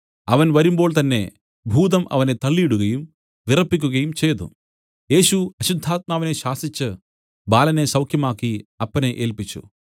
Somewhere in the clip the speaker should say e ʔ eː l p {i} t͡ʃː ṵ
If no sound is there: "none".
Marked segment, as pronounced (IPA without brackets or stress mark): i